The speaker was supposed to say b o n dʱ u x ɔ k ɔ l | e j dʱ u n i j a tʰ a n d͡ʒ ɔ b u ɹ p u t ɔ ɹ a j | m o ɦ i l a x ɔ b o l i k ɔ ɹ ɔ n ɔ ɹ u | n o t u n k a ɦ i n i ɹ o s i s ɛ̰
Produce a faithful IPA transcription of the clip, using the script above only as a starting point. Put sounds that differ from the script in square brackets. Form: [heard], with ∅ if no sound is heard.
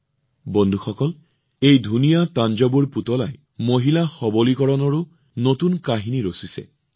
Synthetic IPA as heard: b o n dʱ u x ɔ k ɔ l | e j dʱ u n i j a [t] a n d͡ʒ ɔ b u ɹ p u t ɔ [l] a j | m o ɦ i l a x ɔ b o l i k ɔ ɹ ɔ n ɔ ɹ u | n o t u n k a ɦ i n i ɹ o s i s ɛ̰